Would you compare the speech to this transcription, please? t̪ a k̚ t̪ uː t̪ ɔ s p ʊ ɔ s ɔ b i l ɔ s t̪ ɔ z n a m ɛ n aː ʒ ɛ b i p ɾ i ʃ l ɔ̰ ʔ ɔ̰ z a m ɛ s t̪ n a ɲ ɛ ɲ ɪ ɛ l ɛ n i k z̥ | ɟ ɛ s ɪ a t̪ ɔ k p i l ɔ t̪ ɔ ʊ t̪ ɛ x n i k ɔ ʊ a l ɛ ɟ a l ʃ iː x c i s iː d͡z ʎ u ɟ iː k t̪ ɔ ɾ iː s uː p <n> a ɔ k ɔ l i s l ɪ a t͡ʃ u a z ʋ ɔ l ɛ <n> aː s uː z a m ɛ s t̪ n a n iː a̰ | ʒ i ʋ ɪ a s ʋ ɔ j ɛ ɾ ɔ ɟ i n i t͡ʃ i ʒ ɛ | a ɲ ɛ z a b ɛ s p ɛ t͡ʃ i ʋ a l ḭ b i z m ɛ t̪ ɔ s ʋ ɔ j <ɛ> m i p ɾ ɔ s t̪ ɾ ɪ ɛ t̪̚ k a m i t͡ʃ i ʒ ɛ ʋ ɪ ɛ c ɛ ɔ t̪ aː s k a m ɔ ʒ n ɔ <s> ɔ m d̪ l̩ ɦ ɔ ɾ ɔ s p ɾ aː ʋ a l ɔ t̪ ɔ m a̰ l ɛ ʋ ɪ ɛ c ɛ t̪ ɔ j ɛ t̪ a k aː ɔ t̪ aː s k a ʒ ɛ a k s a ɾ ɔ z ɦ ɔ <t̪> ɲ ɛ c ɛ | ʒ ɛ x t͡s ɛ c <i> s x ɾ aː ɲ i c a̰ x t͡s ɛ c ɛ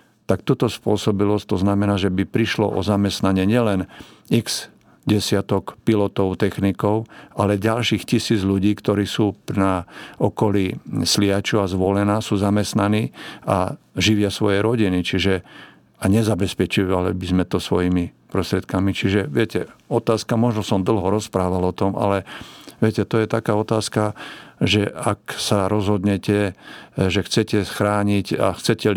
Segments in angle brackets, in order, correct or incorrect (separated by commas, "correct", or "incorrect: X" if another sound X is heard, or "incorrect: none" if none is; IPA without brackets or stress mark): correct, correct, incorrect: i, correct, incorrect: d̪, incorrect: ɛ